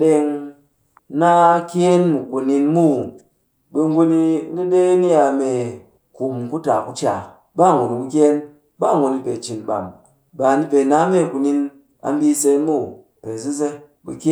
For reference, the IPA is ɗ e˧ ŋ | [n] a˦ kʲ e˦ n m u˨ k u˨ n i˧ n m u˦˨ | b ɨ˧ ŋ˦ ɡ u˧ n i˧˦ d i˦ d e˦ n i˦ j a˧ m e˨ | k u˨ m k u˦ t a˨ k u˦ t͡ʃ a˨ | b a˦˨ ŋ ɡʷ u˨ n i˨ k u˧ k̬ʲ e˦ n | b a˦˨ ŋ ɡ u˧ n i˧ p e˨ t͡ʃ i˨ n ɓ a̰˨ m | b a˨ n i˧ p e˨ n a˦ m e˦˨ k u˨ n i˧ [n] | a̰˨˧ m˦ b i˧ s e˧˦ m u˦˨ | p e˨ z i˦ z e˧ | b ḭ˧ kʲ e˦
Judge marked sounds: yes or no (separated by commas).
yes, yes